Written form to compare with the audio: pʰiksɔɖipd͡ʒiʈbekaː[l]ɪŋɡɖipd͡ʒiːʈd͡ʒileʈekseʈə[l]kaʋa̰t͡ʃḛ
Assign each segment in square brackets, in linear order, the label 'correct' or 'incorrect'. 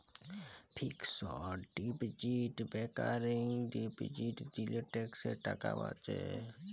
incorrect: ɾ, incorrect: none

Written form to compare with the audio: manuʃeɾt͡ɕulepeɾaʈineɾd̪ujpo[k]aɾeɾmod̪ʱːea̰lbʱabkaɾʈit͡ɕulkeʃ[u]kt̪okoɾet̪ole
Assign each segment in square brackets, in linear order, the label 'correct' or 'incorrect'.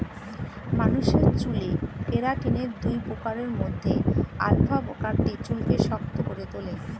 correct, incorrect: ɔ

